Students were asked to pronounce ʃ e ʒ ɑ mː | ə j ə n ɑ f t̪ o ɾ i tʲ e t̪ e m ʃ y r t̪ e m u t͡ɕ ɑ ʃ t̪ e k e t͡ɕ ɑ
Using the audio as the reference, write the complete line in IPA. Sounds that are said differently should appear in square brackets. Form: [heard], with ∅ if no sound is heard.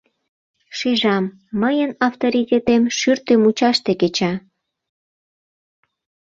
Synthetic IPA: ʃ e ʒ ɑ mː | ə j ə n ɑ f t̪ o ɾ i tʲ e t̪ e m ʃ y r t̪ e m u t͡ɕ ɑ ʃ t̪ e k e t͡ɕ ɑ